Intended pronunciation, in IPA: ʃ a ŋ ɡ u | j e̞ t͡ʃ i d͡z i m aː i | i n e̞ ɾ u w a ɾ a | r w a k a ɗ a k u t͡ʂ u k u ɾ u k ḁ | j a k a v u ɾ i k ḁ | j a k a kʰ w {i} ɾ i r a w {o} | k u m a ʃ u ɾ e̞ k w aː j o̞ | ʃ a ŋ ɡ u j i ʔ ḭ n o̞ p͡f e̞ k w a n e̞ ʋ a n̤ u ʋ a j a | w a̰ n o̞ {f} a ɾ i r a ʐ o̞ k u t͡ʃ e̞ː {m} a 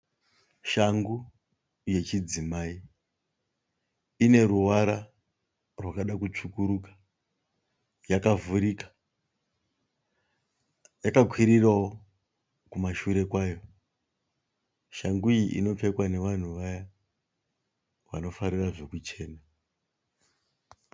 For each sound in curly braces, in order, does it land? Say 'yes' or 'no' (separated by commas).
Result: yes, yes, yes, no